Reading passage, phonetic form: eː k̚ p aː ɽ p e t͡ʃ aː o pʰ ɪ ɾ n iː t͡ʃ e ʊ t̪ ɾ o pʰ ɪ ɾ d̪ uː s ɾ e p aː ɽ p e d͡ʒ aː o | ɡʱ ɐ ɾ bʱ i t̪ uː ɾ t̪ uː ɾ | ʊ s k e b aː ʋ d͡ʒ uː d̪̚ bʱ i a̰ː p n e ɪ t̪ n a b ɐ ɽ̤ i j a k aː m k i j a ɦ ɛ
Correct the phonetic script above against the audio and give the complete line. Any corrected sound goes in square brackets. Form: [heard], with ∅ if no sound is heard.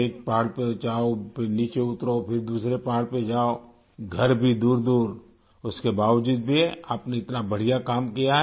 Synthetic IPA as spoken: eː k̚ p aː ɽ p e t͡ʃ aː o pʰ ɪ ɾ n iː t͡ʃ e ʊ t̪ ɾ o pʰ ɪ ɾ d̪ uː s ɾ e p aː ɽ p e d͡ʒ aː o | ɡʱ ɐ ɾ bʱ i [d̪] uː ɾ [d̪] uː ɾ | ʊ s k e b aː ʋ d͡ʒ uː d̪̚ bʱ i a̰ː p n e ɪ t̪ n a b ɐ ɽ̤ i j a k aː m k i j a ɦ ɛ